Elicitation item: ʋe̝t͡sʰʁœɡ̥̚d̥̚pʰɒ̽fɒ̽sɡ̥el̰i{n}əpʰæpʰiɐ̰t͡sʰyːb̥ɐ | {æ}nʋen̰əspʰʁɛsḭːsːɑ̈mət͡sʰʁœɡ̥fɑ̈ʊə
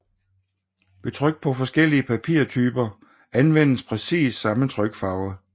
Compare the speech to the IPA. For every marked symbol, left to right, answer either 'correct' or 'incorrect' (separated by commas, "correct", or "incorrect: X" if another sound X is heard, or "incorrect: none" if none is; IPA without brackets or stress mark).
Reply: incorrect: none, correct